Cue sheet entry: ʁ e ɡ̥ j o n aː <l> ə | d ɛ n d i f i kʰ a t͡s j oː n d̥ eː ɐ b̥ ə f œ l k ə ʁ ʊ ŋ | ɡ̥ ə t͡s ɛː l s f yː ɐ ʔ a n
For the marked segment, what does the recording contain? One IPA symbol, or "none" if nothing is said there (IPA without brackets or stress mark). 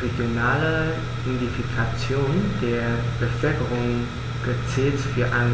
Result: l